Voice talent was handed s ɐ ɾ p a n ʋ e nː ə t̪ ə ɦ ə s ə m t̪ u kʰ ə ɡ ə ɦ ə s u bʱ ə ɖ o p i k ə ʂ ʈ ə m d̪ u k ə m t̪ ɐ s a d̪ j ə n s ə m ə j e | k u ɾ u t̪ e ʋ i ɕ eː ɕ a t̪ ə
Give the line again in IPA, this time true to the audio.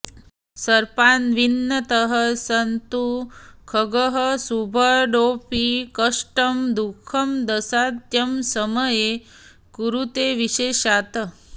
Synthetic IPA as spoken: s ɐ ɾ p a n ʋ i nː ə t̪ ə ɦ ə s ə n t̪ u kʰ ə ɡ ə ɦ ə s u bʱ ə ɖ o p i k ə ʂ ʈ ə m d̪ u kʰ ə m d̪ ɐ s a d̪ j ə m s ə m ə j e | k u ɾ u t̪ e ʋ i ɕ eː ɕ a t̪ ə

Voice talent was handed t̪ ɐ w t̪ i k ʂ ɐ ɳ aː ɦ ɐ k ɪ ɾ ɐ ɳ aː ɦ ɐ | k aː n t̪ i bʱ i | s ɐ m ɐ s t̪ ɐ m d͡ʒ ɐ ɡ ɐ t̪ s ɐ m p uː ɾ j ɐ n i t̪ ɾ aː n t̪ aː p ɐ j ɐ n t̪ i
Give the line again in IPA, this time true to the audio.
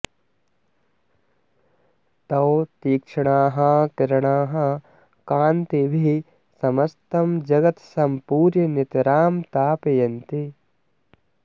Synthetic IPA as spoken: t̪ ɐ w t̪ iː k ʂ ɐ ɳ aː ɦ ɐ k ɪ ɾ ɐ ɳ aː ɦ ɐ | k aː n t̪ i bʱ i | s ɐ m ɐ s t̪ ɐ m d͡ʒ ɐ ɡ ɐ t̪ s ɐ m p uː ɾ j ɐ n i t̪ ɾ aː m t̪ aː p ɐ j ɐ n t̪ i

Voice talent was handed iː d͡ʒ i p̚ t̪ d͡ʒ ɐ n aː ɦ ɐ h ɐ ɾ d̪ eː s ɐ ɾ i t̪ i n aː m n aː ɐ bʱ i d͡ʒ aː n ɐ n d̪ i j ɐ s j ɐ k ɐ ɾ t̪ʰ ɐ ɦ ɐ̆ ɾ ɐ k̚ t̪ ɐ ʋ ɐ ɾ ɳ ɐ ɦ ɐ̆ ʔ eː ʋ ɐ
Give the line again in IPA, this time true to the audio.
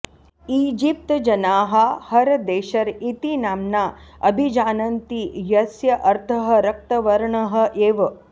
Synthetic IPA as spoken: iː d͡ʒ i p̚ t̪ d͡ʒ ɐ n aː ɦ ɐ h ɐ ɾ d̪ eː ʃ ɐ ɾ i t̪ i n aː m n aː ɐ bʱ i d͡ʒ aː n ɐ n t̪ i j ɐ s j ɐ ʔ ɐ ɾ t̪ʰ ɐ ɦ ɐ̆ ɾ ɐ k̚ t̪ ɐ ʋ ɐ ɾ ɳ ɐ ɦ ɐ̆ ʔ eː ʋ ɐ

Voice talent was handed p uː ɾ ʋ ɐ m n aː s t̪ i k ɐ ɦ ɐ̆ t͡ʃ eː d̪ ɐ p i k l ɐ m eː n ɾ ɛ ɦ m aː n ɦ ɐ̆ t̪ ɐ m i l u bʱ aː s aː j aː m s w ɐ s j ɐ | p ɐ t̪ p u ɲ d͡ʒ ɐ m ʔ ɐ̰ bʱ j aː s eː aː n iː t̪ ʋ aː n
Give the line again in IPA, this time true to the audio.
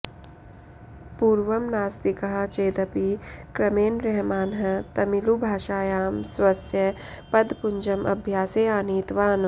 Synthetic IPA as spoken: p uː ɾ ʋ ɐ m n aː s t̪ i k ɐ ɦ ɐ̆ t͡ʃ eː d̪ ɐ p i k ɾ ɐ m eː n ɾ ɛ ɦ m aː n ɦ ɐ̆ t̪ ɐ m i l u bʱ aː ʃ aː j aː m s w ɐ s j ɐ | p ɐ d̪ p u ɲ d͡ʒ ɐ m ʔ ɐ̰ bʱ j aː s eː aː n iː t̪ ʋ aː n

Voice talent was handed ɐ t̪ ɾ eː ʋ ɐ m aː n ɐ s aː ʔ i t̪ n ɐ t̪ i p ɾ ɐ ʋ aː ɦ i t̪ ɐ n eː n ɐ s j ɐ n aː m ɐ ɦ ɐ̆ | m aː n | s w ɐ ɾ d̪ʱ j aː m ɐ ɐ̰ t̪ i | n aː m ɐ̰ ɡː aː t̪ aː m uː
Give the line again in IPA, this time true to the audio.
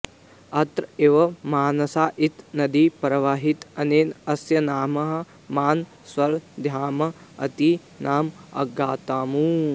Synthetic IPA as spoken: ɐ t̪ ɾ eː ʋ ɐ m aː n ɐ s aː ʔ i t̪ n ɐ d̪ i p ɾ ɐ ʋ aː ɦ i t̪ ɐ n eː n ɐ s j ɐ n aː m ɐ ɦ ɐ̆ | m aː n | s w ɐ ɾ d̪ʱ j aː m ɐ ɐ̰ t̪ i | n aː m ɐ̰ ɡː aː t̪ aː m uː

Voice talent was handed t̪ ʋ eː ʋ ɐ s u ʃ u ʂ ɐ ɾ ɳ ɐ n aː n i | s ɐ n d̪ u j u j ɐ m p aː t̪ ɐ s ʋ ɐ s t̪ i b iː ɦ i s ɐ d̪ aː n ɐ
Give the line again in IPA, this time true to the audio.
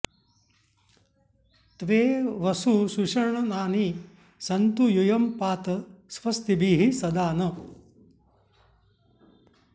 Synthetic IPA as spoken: t̪ ʋ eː ʋ ɐ s u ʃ u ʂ ɐ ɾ ɳ ɐ n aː n i | s ɐ n t̪ u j u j ɐ m p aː t̪ ɐ s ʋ ɐ s t̪ i b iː ɦ i s ɐ d̪ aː n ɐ

